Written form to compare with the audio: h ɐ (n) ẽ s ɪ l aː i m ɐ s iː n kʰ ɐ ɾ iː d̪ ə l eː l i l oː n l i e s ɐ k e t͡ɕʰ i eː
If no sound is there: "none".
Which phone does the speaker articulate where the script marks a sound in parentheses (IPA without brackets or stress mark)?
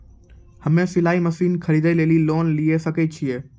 m